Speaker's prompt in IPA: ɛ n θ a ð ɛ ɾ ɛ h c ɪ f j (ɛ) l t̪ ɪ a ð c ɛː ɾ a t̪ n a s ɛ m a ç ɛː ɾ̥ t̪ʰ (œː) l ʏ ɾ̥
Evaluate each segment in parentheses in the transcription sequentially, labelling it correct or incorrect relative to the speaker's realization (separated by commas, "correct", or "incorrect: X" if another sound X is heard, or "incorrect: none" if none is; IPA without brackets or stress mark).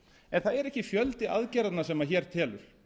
incorrect: œ, incorrect: ɛː